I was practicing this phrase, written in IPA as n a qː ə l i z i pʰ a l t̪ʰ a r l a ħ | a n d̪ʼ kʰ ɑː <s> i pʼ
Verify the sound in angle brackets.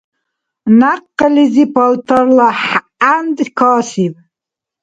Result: correct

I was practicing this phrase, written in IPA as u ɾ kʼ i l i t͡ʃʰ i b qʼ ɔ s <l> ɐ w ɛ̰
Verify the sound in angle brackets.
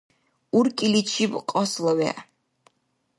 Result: correct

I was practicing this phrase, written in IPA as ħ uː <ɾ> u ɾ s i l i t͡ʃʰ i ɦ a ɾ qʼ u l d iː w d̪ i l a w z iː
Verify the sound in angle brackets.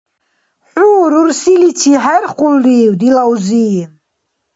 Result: correct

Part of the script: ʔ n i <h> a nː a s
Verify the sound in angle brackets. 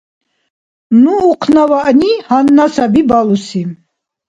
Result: correct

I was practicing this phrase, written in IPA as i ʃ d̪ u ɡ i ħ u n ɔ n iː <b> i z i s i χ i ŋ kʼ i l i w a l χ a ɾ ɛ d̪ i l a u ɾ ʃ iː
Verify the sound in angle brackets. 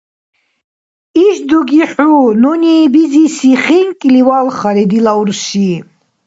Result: correct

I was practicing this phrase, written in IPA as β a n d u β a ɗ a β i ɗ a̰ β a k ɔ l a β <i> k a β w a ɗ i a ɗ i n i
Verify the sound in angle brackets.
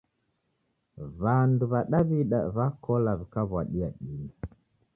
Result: correct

